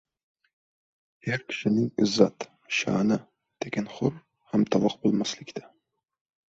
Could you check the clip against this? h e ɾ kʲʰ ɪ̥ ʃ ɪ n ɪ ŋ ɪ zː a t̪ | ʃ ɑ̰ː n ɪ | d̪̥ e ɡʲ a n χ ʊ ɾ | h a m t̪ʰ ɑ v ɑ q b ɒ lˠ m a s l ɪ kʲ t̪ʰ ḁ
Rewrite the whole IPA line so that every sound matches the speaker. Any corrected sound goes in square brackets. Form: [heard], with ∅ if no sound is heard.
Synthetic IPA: h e ɾ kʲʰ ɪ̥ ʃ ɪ n ɪ ŋ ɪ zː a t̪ | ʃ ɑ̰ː n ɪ | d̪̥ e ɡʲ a n χ ʊ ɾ | h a m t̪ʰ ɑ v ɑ q b [o] lˠ m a s l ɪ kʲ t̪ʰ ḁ